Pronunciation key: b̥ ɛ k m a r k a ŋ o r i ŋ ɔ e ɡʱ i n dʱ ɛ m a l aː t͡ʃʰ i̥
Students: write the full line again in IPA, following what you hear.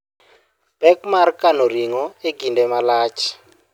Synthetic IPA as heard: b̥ ɛ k m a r k a n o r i ŋ ɔ e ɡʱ i n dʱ ɛ m a l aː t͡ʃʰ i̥